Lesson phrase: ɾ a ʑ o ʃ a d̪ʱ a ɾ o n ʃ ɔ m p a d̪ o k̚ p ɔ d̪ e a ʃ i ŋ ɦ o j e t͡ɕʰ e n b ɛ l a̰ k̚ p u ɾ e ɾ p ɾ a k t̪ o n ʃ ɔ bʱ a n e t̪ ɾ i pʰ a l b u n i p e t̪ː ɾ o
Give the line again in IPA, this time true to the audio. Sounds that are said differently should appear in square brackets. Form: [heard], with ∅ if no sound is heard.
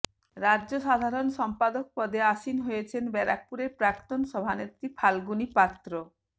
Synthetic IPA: ɾ a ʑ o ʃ a d̪ʱ a ɾ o n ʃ ɔ m p a d̪ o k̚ p ɔ d̪ e a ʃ i [n] ɦ o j e t͡ɕʰ e n b ɛ [ɾ] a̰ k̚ p u ɾ e ɾ p ɾ a k t̪ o n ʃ ɔ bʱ a n e t̪ ɾ i pʰ a l [ɡ] u n i p [a] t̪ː ɾ o